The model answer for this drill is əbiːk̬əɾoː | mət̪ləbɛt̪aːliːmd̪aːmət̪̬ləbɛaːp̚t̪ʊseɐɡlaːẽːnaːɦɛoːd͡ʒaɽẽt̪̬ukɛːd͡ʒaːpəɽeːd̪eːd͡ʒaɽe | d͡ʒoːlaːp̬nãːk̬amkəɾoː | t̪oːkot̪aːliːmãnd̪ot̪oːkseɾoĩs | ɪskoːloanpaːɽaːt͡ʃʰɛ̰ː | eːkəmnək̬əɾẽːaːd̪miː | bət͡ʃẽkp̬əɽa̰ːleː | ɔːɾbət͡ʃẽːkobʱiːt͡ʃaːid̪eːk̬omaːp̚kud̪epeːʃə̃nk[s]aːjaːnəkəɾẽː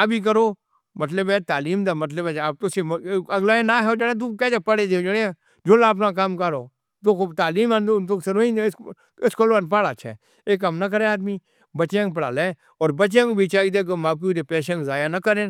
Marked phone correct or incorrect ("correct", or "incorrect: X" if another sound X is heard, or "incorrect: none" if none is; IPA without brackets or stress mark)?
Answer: incorrect: z